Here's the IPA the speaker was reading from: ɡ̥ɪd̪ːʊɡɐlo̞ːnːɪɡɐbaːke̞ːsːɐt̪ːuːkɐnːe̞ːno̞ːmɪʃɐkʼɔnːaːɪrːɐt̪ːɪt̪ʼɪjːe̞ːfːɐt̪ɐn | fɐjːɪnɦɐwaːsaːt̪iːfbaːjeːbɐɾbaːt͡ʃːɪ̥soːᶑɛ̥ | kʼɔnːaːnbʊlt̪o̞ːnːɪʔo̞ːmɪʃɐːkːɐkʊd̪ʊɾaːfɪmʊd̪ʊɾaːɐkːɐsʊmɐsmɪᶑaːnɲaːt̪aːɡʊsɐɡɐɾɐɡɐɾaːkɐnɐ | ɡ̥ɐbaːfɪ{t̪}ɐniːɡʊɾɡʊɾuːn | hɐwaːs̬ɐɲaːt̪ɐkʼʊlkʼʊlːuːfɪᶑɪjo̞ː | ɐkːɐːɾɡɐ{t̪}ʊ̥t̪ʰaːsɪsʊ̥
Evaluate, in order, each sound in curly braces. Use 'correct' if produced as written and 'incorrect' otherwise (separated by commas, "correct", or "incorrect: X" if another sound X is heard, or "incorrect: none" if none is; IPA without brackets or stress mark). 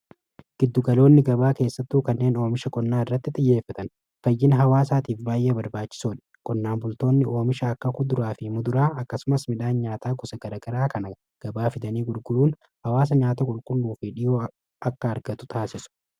incorrect: d̪, correct